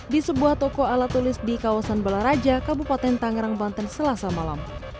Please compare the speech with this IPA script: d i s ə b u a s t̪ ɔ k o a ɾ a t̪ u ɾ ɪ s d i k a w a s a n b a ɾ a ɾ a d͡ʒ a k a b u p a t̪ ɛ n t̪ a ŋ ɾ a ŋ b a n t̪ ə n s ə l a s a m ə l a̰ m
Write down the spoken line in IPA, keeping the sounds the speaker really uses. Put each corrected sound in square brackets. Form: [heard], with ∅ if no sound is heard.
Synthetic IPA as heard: d i s ə b u a [h] t̪ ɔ k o a [l] a t̪ u [l] ɪ s d i k a w a s a n b a [l] a ɾ a d͡ʒ a k a b u p a t̪ ɛ n t̪ a ŋ ɾ a ŋ b a n t̪ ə n s ə l a s a m [a] l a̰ m